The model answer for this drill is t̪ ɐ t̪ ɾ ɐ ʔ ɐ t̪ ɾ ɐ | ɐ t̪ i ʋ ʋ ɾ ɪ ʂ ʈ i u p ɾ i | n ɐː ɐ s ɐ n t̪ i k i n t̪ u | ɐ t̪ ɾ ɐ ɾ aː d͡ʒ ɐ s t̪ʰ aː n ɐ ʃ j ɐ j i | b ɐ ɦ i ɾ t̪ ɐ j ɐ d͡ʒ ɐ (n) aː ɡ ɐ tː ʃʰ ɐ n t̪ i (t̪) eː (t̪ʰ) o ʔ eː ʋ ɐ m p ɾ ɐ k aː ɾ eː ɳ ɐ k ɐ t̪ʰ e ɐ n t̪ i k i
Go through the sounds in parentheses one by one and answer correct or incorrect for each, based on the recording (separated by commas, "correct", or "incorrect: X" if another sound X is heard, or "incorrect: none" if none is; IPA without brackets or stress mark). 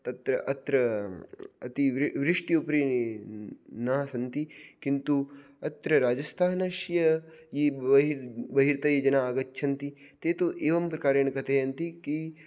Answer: correct, correct, incorrect: t̪